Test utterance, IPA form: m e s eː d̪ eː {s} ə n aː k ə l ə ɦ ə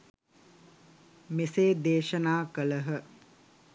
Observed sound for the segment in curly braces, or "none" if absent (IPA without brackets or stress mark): ʃ